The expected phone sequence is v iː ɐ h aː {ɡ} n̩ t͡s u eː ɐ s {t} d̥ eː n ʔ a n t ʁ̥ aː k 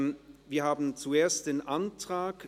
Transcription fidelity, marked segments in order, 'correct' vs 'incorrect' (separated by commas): incorrect, correct